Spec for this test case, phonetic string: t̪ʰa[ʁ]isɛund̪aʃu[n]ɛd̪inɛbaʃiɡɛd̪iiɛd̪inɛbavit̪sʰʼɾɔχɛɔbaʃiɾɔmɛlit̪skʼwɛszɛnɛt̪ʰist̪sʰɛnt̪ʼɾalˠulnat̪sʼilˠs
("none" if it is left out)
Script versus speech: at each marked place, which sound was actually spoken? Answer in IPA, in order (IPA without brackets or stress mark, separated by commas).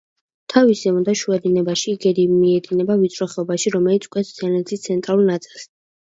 v, none